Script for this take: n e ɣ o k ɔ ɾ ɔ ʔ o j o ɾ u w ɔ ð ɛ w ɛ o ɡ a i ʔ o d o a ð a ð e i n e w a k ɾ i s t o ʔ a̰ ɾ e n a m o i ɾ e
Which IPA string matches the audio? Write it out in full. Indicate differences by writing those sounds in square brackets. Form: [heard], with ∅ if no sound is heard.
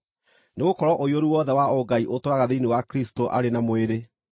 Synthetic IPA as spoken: n e ɣ o k ɔ ɾ ɔ ʔ o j o ɾ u w ɔ ð ɛ w [a] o ɡ a i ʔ o [t] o a [ɣ] a ð e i n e w a k ɾ i s t o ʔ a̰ ɾ e n a m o [e] ɾ e